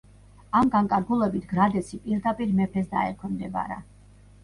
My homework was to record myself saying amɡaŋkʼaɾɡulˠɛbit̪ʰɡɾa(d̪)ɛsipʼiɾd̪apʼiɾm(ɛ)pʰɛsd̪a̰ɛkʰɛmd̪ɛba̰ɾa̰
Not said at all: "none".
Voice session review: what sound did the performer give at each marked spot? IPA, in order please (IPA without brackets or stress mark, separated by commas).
d̪, ɛ